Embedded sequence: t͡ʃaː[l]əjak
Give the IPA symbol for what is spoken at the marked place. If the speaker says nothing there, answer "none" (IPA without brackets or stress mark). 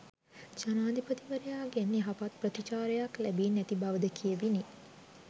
ɾ